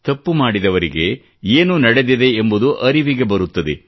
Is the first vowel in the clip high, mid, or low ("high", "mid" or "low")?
low